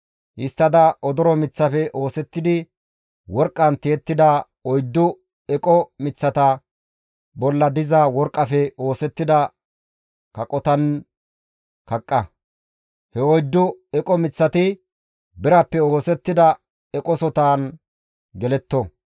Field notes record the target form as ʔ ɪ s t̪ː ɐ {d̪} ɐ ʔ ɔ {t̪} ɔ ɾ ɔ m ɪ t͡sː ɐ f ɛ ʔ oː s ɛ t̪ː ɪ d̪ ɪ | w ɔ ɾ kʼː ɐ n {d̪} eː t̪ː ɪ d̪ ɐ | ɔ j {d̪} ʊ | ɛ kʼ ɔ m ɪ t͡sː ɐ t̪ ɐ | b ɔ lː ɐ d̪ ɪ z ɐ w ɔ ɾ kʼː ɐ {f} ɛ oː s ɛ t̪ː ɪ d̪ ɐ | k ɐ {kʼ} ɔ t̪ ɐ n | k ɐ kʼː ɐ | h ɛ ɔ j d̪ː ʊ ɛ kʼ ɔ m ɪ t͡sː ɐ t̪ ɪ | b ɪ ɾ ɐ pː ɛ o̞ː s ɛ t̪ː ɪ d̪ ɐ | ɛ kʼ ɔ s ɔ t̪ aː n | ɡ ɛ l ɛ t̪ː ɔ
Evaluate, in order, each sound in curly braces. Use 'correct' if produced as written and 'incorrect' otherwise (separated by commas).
correct, incorrect, incorrect, incorrect, correct, correct